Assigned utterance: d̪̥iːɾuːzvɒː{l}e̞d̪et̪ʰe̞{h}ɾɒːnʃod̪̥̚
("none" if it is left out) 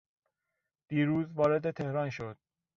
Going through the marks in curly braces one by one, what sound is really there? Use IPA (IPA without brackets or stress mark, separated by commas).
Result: ɾ, h